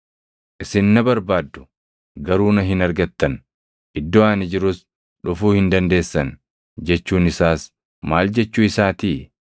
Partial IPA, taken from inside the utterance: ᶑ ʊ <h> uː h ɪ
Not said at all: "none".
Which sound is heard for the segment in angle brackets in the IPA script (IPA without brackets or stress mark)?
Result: f